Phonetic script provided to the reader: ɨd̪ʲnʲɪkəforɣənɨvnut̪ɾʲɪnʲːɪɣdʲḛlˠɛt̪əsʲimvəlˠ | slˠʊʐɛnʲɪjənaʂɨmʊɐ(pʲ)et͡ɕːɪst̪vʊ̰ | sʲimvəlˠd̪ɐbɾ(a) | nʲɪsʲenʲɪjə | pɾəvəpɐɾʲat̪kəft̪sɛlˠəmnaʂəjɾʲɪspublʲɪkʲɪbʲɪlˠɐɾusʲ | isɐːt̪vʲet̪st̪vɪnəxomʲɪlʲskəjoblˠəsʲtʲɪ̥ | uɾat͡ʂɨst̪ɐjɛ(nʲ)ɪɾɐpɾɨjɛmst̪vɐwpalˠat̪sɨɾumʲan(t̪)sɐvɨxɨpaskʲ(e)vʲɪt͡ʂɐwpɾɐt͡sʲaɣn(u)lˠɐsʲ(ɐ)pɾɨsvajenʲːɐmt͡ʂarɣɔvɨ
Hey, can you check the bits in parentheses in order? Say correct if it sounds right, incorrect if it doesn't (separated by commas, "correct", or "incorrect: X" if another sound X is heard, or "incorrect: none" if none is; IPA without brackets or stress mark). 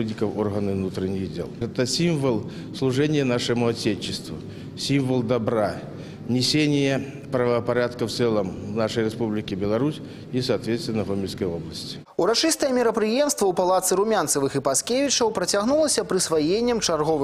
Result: incorrect: tʲ, correct, incorrect: mʲ, correct, correct, correct, correct